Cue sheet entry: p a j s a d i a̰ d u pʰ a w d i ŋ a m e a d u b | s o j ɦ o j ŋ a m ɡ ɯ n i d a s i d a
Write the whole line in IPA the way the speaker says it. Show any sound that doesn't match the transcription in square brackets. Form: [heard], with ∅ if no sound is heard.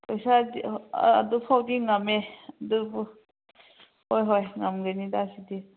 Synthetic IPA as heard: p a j s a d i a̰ d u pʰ a w d i ŋ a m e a d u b | [h] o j ɦ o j ŋ a m ɡ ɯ n i d a s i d [i]